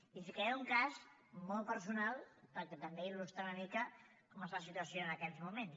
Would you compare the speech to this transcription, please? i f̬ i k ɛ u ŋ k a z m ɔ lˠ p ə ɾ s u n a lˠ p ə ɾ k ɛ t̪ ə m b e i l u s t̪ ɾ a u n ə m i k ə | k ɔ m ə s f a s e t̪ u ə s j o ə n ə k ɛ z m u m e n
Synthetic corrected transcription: i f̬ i k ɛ u ŋ k a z m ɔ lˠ p ə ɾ s u n a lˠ p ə ɾ k ɛ t̪ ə m b e i l u s t̪ ɾ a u n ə m i k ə | k ɔ m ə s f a s i t̪ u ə s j o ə n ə k ɛ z m u m e n